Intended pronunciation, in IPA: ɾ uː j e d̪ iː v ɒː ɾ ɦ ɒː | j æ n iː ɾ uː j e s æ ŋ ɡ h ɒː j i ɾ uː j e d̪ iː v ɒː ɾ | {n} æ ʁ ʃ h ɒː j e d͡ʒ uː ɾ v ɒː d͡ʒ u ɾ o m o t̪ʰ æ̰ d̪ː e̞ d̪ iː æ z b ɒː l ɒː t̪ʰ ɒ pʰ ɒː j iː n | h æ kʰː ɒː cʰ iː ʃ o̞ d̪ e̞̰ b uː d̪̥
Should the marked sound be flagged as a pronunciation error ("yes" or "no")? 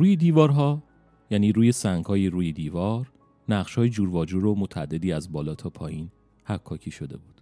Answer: no